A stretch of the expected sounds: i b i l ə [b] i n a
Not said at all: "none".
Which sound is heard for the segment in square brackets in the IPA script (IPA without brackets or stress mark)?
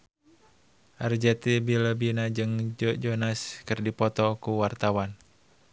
b